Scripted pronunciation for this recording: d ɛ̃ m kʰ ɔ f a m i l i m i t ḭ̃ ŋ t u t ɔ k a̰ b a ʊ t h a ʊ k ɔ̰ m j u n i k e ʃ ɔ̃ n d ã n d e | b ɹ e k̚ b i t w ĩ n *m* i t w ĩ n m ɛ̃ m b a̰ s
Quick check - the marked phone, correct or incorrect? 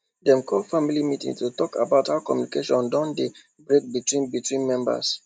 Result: incorrect